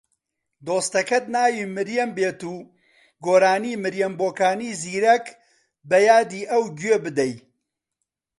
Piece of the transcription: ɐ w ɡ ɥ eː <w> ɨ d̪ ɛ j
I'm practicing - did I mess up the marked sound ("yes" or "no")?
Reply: yes